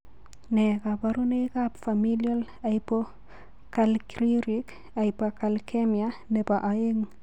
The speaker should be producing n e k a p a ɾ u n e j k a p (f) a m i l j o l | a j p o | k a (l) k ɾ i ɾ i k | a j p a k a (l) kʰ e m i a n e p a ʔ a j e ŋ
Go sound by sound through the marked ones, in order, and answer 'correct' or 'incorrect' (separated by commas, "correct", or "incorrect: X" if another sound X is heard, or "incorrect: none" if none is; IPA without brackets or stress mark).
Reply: correct, correct, correct